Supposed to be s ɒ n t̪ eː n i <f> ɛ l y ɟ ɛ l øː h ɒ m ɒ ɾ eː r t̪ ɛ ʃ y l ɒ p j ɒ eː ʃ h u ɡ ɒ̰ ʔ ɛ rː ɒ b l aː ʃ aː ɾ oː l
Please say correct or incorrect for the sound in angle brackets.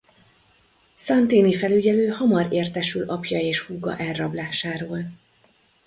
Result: correct